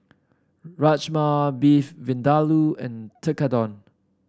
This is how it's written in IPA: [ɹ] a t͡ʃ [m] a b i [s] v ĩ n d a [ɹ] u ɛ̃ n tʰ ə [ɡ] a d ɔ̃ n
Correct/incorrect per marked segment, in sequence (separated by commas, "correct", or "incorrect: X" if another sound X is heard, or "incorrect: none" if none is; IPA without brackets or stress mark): correct, correct, incorrect: f, incorrect: l, incorrect: k